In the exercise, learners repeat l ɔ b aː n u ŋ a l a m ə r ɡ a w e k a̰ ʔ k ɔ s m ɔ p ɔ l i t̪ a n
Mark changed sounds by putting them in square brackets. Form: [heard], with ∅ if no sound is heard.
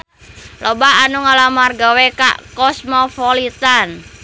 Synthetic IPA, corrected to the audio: l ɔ b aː n u ŋ a l a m [a] r ɡ a w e k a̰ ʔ k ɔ s m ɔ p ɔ l i t̪ a n

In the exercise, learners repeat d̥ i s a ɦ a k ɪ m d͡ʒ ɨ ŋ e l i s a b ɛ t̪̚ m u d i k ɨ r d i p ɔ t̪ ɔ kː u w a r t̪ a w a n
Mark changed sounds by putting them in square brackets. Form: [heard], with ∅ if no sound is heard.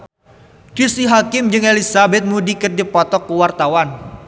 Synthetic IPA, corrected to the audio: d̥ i s [i] ɦ a k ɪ m d͡ʒ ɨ ŋ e l i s a b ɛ t̪̚ m u d i k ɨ r d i p ɔ t̪ ɔ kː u w a r t̪ a w a n

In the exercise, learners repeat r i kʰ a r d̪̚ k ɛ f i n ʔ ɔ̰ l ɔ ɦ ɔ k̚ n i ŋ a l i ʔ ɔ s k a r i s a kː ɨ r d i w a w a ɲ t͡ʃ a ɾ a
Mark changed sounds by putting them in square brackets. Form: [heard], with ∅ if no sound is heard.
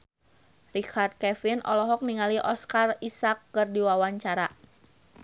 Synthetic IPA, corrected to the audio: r i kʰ a r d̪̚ k ɛ f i n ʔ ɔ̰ l ɔ ɦ ɔ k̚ n i ŋ a l i ʔ ɔ s k a r i s a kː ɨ r d i w a w a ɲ t͡ʃ a ɾ a

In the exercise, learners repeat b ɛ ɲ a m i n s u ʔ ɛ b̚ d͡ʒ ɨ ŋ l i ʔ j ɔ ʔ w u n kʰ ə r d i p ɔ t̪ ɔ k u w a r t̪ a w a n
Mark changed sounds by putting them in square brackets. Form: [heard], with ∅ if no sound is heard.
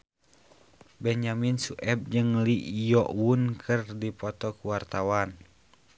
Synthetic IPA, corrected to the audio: b ɛ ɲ a m i n s u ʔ ɛ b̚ d͡ʒ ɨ ŋ l i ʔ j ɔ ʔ w u n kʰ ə r d i p ɔ t̪ ɔ k u w a r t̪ a w a n

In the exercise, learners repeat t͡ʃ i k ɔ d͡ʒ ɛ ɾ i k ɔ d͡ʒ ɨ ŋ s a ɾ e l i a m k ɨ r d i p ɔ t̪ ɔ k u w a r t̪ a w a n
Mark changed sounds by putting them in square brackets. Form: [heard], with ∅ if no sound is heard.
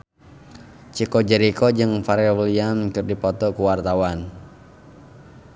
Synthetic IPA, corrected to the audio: t͡ʃ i k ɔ d͡ʒ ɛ ɾ i k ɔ d͡ʒ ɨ ŋ [f] a ɾ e l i a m k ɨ r d i p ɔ t̪ ɔ k u w a r t̪ a w a n

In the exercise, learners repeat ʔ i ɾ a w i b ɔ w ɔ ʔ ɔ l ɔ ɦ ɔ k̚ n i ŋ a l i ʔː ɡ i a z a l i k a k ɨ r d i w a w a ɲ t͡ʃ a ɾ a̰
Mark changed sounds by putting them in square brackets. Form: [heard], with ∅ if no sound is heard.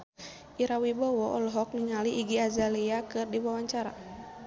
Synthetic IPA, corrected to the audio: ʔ i ɾ a w i b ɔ w ɔ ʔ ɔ l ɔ ɦ ɔ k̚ n i ŋ a l i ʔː ɡ i a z a l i [∅] a k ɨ r d i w a w a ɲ t͡ʃ a ɾ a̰

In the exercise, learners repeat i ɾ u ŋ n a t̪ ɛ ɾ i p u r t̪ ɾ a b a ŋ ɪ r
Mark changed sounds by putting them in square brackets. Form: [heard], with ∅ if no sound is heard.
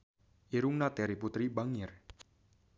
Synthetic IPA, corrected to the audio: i ɾ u ŋ n a t̪ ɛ ɾ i p u [∅] t̪ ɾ [i] b a ŋ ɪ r

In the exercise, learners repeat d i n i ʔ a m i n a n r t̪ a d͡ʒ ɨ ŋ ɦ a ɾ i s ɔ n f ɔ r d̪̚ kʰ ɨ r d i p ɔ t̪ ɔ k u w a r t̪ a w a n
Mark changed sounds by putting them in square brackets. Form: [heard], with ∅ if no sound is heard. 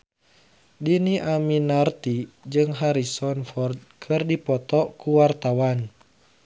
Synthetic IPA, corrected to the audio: d i n i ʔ a m i n a [∅] r t̪ [i] d͡ʒ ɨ ŋ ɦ a ɾ i s ɔ n f ɔ r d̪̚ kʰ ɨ r d i p ɔ t̪ ɔ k u w a r t̪ a w a n

